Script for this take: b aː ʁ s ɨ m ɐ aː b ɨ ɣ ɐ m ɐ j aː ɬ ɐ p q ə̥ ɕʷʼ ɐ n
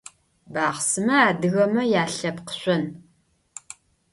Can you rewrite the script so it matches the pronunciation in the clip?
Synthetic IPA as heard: b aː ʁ s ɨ m ɐ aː d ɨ ɣ ɐ m ɐ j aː ɬ ɐ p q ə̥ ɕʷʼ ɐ n